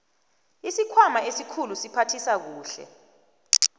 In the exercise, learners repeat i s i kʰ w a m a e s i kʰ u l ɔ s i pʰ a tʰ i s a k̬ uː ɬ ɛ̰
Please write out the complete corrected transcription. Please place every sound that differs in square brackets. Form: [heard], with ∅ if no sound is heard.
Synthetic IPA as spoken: i s i kʰ w a m a e s i kʰ u l [u] s i pʰ a tʰ i s a k̬ uː ɬ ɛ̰